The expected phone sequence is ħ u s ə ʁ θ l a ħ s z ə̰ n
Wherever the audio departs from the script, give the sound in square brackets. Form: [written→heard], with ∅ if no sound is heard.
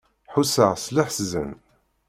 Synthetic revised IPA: ħ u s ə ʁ [θ→s] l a ħ s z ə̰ n